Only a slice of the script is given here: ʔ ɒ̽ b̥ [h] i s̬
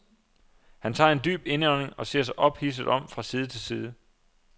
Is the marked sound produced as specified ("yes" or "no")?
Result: yes